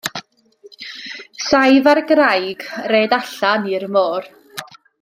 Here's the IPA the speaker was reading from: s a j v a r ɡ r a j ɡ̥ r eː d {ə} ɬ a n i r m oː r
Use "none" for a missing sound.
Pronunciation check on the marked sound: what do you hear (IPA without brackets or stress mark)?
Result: a